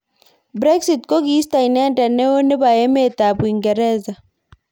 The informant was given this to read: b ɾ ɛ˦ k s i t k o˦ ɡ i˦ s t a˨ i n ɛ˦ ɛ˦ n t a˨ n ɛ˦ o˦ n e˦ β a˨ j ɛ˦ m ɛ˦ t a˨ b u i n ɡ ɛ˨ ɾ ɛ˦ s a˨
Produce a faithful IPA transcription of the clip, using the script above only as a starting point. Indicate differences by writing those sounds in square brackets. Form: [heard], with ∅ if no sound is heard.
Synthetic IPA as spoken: b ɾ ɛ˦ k s i t k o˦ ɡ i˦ s t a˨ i n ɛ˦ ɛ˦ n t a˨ n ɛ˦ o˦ n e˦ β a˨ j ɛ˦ m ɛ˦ t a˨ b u i [ŋ] ɡ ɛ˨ ɾ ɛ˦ [z] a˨